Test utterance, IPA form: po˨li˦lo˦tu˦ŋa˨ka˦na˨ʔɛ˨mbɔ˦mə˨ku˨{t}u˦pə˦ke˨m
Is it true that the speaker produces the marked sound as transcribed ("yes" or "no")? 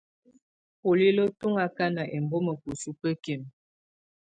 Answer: no